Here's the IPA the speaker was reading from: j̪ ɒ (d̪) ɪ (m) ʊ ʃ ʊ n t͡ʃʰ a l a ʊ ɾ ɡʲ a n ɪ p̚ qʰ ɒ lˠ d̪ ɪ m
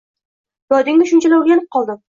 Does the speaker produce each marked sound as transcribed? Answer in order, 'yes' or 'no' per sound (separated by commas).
yes, no